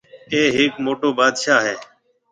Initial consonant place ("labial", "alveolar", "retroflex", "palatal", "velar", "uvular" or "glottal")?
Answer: glottal